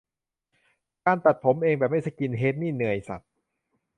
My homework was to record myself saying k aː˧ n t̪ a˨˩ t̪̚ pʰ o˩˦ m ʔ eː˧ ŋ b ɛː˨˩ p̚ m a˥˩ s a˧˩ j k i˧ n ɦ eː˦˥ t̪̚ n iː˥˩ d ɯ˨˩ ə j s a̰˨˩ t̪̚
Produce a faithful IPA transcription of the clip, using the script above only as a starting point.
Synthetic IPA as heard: k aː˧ n t̪ a˨˩ t̪̚ pʰ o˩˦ m ʔ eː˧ ŋ b ɛː˨˩ p̚ m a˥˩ s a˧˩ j k i˧ n ɦ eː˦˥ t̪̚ n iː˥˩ n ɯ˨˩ ə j s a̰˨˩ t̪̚